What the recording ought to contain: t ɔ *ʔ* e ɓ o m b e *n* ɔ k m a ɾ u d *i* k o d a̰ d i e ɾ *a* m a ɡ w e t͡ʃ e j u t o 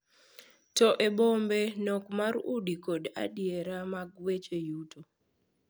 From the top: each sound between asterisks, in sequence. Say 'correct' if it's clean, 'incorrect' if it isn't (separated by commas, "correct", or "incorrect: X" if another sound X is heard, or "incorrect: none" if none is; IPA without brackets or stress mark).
correct, correct, correct, correct